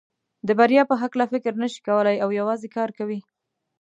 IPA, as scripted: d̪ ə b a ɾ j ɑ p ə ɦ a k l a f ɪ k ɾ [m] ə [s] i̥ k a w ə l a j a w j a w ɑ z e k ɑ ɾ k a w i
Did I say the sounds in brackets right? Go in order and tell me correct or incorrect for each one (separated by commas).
incorrect, incorrect